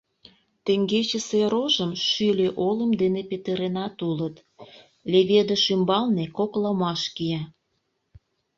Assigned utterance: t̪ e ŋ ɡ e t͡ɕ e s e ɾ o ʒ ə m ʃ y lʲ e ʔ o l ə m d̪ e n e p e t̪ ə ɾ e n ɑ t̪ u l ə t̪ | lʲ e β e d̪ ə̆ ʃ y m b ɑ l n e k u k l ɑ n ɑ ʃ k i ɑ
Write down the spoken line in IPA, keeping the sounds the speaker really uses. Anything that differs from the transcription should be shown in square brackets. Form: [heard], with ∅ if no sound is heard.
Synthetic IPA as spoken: t̪ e ŋ ɡ e t͡ɕ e s e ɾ o ʒ ə m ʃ y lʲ e ʔ o l ə m d̪ e n e p e t̪ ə ɾ e n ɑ t̪ u l ə t̪ | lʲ e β e d̪ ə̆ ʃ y m b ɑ l n e k [o] k l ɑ [m] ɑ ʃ k i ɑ